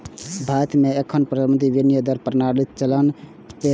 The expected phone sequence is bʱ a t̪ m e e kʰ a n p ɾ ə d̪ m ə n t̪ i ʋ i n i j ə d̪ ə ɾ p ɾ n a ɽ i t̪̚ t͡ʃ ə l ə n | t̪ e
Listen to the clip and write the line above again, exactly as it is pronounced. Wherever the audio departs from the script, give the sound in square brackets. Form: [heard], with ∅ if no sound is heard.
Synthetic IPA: bʱ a t̪ m e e kʰ [ə] n p ɾ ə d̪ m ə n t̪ i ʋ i n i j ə d̪ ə ɾ p ɾ n a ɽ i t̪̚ t͡ʃ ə l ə n | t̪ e

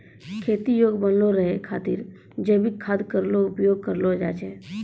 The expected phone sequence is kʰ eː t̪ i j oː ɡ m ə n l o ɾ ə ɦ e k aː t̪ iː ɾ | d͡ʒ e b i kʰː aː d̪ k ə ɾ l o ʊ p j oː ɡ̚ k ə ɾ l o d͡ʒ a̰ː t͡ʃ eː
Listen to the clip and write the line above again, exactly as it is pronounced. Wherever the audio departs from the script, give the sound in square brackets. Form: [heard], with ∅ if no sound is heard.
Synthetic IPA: kʰ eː t̪ i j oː ɡ [b] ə n l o ɾ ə ɦ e [kʰ] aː t̪ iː ɾ | d͡ʒ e b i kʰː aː d̪ k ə ɾ l o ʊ p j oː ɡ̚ k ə ɾ l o d͡ʒ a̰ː t͡ʃ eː

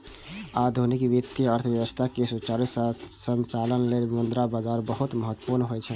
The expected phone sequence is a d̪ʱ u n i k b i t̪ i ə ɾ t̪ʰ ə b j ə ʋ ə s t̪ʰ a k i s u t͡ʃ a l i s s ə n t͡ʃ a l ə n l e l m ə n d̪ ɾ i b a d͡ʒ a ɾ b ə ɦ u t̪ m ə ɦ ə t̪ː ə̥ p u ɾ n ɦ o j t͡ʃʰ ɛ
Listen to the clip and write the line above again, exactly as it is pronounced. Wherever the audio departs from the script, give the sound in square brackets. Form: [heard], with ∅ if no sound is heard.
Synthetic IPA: a d̪ʱ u n i k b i t̪ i ə ɾ t̪ʰ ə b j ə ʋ ə s t̪ʰ a k [e] s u t͡ʃ a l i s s ə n t͡ʃ a l ə n l e l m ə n d̪ ɾ [a] b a d͡ʒ a ɾ b ə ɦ u t̪ m ə ɦ ə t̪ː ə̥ p u ɾ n ɦ o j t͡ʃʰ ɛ

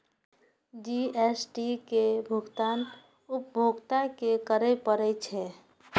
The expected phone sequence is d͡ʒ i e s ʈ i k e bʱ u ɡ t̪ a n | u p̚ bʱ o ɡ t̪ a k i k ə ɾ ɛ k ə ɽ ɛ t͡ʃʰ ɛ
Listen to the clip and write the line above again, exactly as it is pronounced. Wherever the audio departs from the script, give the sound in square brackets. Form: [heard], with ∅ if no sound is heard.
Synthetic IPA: d͡ʒ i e s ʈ i k e bʱ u ɡ t̪ a n | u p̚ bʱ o ɡ t̪ a k [e] k ə ɾ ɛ [p] ə [ɾ] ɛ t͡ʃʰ ɛ

